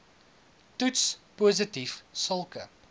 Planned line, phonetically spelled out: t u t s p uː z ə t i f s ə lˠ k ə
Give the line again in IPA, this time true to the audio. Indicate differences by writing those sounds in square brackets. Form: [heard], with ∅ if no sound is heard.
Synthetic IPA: t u t s p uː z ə t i f s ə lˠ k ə

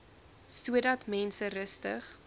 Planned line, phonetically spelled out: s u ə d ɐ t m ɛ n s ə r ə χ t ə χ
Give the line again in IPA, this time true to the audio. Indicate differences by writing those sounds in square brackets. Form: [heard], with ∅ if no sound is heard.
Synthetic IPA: s u ə d ɐ t m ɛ n s ə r ə [s] t ə χ

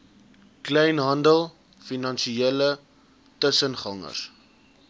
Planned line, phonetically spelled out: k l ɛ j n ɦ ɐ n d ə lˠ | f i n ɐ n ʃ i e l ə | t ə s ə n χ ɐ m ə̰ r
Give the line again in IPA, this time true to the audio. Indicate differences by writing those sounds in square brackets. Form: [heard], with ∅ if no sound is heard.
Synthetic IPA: k l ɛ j n ɦ ɐ n d ə lˠ | f i n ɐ n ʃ i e l ə | t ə s ə n χ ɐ [ŋ] ə̰ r

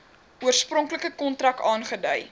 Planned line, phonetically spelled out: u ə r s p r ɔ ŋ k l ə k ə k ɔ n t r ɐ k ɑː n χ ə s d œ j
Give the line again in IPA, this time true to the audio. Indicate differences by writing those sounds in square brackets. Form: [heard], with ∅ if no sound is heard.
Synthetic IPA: u ə r s p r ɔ ŋ k l ə k ə k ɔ n t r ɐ k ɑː n χ ə [∅] d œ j

